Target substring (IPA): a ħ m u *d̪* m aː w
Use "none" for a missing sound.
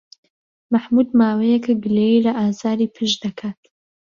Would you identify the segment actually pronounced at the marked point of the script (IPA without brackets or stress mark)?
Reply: d̪